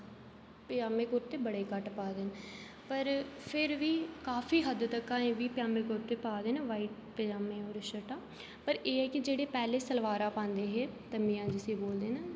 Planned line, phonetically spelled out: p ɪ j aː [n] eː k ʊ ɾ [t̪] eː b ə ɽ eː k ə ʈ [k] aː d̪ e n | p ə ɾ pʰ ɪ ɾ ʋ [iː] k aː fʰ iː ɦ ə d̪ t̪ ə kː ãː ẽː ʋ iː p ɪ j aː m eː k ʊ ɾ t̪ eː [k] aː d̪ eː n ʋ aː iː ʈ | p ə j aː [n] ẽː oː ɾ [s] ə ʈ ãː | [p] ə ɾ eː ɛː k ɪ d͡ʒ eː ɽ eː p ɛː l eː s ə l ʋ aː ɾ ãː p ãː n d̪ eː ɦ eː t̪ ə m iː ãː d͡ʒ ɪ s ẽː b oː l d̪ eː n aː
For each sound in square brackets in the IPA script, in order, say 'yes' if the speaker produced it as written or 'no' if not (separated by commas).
no, yes, no, yes, no, no, no, yes